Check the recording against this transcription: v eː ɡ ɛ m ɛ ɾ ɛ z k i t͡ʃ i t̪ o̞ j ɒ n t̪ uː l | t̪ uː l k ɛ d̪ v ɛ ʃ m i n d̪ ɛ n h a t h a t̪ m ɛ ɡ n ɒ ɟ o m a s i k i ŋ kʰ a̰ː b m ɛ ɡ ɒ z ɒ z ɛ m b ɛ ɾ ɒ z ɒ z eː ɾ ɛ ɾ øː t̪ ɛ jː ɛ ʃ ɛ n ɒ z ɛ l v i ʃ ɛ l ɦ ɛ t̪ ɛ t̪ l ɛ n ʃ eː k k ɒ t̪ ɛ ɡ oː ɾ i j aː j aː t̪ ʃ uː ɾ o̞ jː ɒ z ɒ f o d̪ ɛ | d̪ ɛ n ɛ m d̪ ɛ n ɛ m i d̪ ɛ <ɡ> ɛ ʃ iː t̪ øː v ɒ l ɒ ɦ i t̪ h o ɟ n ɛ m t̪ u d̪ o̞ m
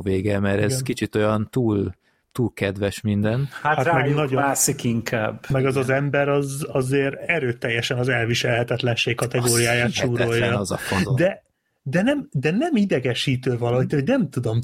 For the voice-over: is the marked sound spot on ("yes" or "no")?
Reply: yes